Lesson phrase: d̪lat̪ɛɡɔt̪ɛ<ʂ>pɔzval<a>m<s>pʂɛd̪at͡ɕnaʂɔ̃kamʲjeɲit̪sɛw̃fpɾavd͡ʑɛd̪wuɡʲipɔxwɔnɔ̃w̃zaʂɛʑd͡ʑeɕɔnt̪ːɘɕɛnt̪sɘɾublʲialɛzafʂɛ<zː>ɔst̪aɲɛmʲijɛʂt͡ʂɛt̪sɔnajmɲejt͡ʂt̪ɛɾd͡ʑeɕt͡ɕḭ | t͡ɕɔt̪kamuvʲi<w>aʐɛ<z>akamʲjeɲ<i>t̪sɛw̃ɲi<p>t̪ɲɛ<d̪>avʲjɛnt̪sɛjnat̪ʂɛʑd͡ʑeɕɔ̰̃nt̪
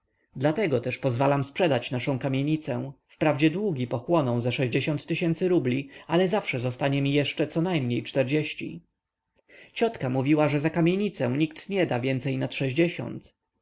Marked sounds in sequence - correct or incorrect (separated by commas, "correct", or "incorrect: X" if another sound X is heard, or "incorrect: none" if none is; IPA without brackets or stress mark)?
correct, correct, correct, incorrect: z, correct, correct, correct, incorrect: k, correct